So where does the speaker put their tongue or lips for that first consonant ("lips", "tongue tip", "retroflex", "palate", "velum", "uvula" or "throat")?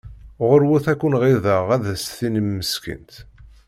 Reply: uvula